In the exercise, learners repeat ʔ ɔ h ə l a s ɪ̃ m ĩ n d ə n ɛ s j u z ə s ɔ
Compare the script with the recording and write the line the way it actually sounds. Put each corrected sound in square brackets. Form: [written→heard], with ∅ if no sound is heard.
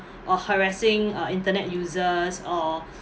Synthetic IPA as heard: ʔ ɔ h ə [l→ɹ] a s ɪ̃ [m→ŋ] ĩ n [d→t] ə n ɛ [s→t] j u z ə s ɔ